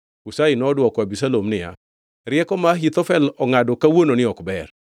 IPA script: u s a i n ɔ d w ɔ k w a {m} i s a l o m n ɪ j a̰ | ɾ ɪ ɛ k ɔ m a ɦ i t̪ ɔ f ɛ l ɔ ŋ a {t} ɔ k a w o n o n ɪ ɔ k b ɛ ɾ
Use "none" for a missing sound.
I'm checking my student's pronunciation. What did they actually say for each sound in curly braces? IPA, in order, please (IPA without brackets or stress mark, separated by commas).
b, d